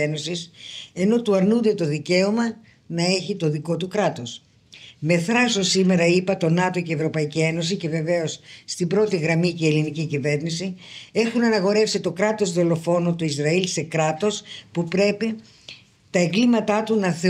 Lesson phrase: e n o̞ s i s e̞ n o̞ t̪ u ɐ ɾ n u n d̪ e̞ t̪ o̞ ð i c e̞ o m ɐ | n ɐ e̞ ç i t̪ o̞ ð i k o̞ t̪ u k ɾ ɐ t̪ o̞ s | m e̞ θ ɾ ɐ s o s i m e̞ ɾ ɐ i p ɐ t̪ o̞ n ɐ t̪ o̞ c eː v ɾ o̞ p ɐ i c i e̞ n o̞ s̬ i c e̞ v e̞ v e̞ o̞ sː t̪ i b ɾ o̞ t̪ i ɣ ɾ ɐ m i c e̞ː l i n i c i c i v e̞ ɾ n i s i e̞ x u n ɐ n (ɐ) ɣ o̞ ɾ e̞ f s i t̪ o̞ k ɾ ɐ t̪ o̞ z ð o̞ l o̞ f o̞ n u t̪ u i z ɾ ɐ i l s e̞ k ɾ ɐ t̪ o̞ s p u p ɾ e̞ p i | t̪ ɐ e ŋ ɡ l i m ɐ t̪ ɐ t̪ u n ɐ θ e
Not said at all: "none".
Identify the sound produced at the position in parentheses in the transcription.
ɐ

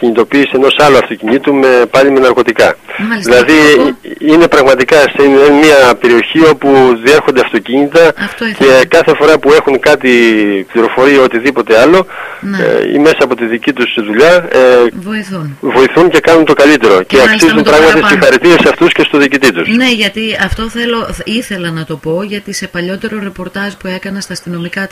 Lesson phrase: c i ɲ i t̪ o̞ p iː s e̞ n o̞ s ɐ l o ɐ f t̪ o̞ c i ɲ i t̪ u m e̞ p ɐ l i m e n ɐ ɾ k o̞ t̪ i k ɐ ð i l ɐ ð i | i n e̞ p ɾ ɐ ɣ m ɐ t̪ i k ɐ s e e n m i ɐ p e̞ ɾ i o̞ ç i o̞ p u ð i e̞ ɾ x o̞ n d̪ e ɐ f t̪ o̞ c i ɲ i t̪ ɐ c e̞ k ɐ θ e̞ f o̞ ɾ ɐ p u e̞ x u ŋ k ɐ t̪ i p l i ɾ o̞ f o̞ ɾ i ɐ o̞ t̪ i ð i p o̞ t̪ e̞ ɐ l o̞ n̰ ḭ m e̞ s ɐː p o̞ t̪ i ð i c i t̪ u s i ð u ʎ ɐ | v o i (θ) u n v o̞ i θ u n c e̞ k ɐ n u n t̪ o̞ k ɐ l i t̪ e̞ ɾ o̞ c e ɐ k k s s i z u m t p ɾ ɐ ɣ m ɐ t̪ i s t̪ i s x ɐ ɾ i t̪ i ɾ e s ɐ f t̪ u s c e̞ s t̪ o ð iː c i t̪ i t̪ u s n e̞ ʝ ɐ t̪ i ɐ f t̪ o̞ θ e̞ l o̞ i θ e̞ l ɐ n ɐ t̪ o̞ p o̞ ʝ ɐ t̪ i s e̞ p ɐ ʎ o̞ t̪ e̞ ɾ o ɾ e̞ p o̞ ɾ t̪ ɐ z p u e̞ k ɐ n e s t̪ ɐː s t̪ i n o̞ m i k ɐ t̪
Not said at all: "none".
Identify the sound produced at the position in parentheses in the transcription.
θ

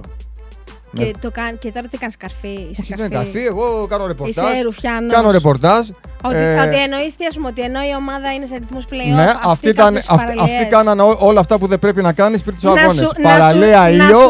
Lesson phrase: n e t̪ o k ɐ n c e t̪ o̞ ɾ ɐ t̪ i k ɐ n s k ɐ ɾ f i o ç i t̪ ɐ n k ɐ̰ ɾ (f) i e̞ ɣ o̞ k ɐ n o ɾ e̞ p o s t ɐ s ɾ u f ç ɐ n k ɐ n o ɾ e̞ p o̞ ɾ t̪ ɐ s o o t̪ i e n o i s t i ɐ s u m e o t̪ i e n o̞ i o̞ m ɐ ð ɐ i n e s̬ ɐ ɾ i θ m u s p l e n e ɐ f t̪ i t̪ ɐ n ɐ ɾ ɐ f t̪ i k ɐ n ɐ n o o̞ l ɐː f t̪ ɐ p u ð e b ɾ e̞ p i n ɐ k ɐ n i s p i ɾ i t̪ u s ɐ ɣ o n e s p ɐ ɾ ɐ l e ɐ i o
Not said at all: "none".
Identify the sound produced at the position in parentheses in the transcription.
f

